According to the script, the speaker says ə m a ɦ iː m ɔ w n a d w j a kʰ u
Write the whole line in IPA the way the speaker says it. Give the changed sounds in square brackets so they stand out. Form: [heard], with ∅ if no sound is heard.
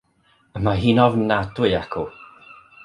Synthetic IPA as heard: ə m a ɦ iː [n] ɔ [v] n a d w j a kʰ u